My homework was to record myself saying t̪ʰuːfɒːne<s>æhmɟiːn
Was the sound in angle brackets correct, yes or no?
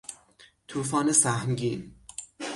yes